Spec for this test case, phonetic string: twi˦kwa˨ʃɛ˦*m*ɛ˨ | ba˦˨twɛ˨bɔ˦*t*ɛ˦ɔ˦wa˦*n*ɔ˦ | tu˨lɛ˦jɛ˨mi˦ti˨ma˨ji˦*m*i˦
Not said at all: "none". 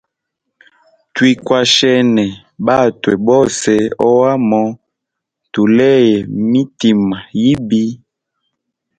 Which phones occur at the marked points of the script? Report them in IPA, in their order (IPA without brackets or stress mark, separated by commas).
n, s, m, b